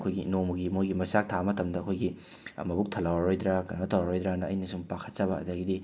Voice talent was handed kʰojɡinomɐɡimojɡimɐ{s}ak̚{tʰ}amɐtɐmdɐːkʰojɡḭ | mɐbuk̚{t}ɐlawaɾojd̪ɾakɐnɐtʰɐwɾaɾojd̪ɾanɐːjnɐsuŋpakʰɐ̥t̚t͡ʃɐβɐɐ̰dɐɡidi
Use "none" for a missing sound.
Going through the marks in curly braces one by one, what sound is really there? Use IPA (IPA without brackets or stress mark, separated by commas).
s, tʰ, tʰ